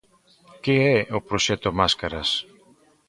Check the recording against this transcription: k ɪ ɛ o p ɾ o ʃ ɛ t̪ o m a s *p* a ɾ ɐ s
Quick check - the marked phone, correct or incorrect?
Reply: incorrect